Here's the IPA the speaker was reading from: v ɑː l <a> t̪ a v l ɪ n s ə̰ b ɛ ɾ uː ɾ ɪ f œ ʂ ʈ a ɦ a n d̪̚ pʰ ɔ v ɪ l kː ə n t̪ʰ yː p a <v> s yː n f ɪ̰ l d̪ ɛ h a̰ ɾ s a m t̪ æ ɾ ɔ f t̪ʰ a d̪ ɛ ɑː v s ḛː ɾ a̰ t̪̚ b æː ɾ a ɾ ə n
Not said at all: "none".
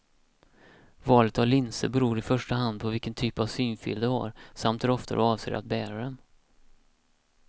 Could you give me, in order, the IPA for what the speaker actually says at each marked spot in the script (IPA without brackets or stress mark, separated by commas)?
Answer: ə, v